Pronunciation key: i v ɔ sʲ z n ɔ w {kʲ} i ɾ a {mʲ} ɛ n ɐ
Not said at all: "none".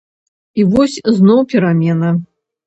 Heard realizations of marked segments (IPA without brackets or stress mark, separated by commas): pʲ, mʲ